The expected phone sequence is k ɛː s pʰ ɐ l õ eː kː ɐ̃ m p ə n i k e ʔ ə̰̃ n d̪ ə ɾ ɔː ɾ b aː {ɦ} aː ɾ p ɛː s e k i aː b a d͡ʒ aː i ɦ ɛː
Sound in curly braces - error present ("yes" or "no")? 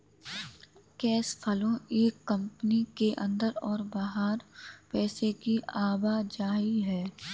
no